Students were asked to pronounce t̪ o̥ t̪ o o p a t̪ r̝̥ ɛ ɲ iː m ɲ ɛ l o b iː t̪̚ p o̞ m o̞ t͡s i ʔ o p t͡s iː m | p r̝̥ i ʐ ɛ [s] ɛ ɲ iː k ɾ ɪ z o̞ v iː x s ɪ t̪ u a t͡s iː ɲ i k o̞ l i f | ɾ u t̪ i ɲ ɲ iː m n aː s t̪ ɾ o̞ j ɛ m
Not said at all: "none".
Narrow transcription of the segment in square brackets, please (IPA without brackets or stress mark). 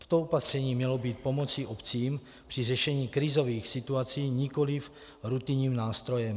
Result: ʃ